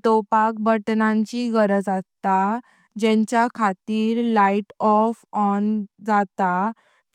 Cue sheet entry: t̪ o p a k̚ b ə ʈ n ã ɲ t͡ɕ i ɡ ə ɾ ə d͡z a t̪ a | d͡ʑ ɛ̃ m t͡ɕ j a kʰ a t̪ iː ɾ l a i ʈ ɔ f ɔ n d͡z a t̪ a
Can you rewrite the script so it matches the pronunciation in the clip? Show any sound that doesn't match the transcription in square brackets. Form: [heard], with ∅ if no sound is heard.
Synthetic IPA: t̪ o p a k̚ b ə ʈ n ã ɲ t͡ɕ i ɡ ə ɾ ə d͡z a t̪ a | d͡ʑ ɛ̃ [ɲ] t͡ɕ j a kʰ a t̪ iː ɾ l a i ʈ ɔ f ɔ n d͡z a t̪ a